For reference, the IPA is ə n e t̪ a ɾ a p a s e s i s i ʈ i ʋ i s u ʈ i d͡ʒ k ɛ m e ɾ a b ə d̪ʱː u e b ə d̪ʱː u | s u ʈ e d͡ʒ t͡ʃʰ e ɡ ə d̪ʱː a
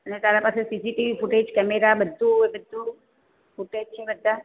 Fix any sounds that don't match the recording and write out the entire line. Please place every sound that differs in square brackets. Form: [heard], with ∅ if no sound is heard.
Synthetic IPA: ə n e t̪ a ɾ a p a s e s i s i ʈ i ʋ i [f] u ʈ [e] d͡ʒ k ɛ m e ɾ a b ə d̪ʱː u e b ə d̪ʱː u | [f] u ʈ e d͡ʒ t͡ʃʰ e [b] ə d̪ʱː a